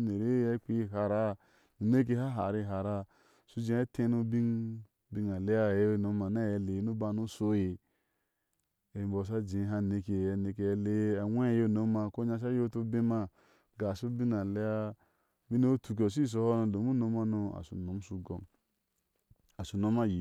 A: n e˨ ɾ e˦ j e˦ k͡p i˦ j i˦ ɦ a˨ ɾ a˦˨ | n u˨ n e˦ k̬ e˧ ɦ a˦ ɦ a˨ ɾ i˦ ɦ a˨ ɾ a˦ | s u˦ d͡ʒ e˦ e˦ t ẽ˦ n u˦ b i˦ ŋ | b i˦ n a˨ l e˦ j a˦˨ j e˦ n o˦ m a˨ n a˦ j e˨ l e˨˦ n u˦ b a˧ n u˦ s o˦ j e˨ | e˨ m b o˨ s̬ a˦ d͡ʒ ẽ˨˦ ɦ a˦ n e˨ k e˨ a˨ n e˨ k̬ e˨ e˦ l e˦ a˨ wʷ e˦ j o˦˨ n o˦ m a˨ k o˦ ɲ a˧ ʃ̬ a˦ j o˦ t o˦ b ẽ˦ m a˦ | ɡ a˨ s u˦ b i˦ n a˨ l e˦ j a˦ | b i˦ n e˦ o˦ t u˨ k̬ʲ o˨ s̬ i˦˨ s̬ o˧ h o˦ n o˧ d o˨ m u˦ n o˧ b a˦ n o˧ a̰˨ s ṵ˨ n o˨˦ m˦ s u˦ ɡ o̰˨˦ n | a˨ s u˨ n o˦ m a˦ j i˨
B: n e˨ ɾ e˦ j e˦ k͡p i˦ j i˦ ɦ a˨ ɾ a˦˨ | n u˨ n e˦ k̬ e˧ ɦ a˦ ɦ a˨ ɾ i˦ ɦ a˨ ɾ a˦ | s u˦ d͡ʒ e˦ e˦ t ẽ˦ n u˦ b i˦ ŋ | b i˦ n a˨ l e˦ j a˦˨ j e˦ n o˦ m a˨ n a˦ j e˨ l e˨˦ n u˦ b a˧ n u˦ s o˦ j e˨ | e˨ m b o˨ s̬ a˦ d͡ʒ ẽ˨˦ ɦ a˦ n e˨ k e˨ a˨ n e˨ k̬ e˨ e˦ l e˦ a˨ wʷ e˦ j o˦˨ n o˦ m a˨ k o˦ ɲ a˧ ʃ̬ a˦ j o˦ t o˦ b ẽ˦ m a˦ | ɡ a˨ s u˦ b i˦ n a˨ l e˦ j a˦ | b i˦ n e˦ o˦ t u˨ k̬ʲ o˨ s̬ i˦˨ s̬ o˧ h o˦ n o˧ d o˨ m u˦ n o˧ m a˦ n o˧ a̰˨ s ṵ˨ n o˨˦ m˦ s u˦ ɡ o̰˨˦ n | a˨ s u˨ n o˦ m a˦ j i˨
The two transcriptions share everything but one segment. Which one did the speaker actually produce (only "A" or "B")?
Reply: B